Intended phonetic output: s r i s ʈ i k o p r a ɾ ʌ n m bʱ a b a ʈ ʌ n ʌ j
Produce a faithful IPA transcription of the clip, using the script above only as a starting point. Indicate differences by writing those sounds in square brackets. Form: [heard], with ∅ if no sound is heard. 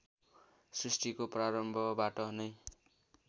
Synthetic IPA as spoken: s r i s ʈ i k o p r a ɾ ʌ [∅] m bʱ [ʌ] b a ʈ ʌ n ʌ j

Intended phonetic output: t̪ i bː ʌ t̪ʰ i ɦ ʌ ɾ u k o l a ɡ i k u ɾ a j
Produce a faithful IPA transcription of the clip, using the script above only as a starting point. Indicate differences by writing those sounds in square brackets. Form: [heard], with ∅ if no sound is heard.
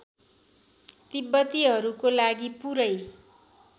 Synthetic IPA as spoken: t̪ i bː ʌ [t̪] i ɦ ʌ ɾ u k o l a ɡ i [p] u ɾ [ʌ] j

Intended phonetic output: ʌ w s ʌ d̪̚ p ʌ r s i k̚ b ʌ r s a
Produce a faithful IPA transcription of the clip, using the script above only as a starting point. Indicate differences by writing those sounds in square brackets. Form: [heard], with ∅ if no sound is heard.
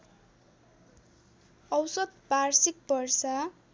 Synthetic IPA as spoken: ʌ w s ʌ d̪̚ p [a] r s i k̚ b ʌ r s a

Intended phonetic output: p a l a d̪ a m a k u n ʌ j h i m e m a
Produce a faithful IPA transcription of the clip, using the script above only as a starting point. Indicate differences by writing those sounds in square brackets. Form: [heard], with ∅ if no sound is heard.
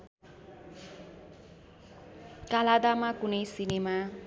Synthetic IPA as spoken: [k] a l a d̪ a m a k u n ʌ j [s] i [n] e m a

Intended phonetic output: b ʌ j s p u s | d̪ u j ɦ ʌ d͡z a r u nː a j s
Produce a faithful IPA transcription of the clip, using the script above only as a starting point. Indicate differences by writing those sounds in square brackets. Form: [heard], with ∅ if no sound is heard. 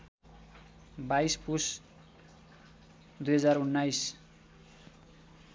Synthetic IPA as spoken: b [a] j s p u s | d̪ u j ɦ ʌ d͡z a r u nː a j s

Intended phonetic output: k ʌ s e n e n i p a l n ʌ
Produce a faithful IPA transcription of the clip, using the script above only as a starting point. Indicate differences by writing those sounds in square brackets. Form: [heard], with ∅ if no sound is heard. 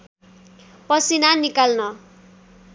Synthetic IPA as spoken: [p] ʌ s [i] n [a] n i [k] a l n ʌ

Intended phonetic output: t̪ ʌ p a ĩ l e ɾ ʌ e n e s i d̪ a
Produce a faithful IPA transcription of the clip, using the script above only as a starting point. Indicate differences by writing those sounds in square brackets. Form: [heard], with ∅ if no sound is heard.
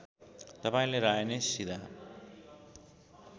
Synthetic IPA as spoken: t̪ ʌ p a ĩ l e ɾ [a] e n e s i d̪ a

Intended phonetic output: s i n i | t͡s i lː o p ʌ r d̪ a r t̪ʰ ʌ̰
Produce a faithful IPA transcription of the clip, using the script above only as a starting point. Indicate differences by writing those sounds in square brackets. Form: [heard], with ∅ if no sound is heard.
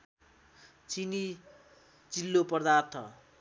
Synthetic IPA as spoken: [t͡s] i n i | t͡s i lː o p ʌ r d̪ a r t̪ʰ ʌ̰

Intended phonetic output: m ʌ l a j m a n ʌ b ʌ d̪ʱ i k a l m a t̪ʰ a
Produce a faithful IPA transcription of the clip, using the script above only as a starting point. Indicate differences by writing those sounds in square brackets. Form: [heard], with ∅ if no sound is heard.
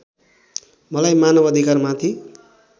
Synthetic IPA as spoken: m ʌ l a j m a n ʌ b ʌ d̪ʱ i k a [r] m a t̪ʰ [i]

